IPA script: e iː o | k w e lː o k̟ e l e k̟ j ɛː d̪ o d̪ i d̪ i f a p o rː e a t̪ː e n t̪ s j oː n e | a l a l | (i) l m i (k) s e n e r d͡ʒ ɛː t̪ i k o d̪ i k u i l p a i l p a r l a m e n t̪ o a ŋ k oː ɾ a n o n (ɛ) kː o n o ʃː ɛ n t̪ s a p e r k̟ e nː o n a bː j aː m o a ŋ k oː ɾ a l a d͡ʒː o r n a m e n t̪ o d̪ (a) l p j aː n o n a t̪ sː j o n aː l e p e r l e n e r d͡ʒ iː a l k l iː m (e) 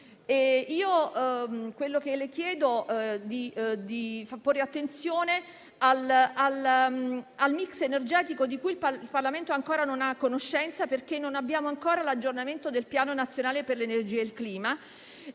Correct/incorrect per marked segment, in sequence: incorrect: a, correct, incorrect: a, incorrect: e, incorrect: a

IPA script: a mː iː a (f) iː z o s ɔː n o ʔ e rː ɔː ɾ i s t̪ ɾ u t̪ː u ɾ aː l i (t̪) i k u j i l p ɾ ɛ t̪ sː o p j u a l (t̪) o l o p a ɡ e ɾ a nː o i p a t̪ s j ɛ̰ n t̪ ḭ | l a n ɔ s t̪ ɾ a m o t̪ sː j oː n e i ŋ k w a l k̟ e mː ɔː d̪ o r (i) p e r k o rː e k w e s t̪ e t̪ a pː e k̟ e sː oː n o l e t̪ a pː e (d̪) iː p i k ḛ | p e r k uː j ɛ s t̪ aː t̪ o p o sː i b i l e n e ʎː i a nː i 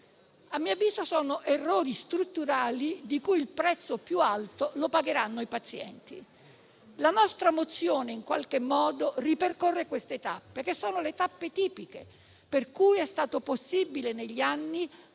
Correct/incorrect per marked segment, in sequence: incorrect: v, incorrect: d̪, correct, correct, incorrect: t̪

